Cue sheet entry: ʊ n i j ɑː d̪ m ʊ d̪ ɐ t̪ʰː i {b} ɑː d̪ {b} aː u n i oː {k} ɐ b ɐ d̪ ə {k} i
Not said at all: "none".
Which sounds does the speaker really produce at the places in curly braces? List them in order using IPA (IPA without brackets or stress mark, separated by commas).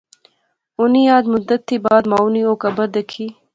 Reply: b, m, k, kʰ